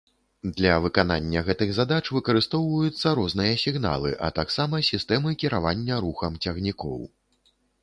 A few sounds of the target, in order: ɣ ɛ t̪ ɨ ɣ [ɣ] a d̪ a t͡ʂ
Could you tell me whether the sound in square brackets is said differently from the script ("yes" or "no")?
yes